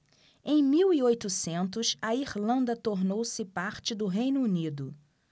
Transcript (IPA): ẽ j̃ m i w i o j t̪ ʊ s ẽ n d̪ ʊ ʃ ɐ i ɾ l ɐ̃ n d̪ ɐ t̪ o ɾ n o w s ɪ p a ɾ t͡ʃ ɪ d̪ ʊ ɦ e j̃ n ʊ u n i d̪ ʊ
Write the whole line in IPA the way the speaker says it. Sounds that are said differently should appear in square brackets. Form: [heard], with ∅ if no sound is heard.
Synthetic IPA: ẽ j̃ m i w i o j t̪ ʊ s ẽ n [t̪] ʊ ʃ ɐ i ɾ l ɐ̃ n d̪ ɐ t̪ o ɾ n o w s ɪ p a ɾ t͡ʃ ɪ d̪ ʊ ɦ e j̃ n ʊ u n i d̪ ʊ